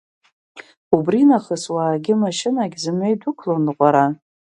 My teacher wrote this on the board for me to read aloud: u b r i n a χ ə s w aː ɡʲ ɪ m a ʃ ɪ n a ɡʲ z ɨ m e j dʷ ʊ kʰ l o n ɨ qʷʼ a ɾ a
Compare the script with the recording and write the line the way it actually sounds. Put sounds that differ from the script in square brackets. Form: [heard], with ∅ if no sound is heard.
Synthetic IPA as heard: u b r i n a χ ə s w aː ɡʲ ɪ m a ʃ ɪ n a ɡʲ z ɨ m e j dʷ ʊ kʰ l o n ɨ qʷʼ a ɾ a